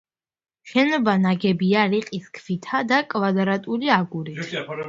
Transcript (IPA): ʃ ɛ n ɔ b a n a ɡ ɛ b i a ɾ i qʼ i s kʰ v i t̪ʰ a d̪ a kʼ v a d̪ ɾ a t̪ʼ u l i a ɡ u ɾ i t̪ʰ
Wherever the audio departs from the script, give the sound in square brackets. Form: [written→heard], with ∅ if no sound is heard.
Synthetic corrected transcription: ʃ ɛ n ɔ b a n a ɡ ɛ b i a ɾ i qʼ i s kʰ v i t̪ʰ a d̪ a kʼ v a d̪ ɾ a t̪ʼ u l i a ɡ u ɾ i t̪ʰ